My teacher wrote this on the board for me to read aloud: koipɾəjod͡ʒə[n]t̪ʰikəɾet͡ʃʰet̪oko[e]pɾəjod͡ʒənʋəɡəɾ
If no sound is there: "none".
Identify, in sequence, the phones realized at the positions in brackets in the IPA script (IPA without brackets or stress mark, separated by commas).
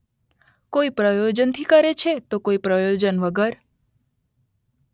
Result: n, i